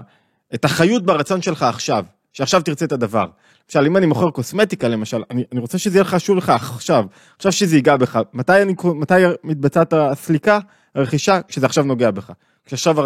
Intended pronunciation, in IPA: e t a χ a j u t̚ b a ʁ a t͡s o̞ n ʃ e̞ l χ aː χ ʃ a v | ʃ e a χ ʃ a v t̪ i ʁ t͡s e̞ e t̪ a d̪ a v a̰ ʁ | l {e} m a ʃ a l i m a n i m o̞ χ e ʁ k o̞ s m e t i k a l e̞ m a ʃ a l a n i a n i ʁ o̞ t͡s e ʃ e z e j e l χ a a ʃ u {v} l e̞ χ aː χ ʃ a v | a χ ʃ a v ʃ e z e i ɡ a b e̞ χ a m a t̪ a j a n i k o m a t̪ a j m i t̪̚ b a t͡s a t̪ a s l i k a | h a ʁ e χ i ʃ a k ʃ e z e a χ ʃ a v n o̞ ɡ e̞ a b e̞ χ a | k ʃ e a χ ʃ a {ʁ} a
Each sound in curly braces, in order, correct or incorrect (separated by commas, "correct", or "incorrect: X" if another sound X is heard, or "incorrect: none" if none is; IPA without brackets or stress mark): correct, correct, incorrect: v